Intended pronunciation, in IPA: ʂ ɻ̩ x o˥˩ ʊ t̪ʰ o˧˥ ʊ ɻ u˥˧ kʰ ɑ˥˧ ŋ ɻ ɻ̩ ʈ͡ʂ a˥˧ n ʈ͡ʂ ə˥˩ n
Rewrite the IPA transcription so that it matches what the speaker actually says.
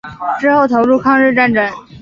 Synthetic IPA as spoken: ʈ͡ʂ ɻ̩ x o˥˩ ʊ t̪ʰ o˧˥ ʊ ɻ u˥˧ kʰ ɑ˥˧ ŋ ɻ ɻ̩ ʈ͡ʂ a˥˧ n ʈ͡ʂ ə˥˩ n